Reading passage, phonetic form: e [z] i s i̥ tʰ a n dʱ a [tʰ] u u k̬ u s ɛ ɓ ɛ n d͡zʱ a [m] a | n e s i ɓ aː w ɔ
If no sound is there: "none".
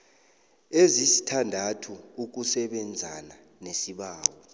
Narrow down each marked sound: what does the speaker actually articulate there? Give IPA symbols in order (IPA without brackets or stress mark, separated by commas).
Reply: z, tʰ, n